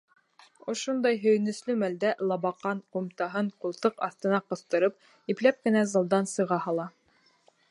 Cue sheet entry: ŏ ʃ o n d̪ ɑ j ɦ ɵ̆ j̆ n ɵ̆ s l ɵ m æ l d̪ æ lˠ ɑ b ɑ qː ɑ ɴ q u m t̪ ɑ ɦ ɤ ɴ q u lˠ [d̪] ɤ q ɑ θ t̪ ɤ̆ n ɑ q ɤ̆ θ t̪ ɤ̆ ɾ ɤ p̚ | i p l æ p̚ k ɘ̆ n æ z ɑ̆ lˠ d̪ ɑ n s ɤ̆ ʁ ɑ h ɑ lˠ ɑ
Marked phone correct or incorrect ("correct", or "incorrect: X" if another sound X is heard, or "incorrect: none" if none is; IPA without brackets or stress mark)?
incorrect: t̪